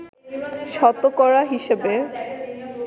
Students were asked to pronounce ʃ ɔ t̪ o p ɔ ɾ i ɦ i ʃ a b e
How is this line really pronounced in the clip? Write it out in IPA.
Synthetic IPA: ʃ ɔ t̪ o k ɔ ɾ a ɦ i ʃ e b e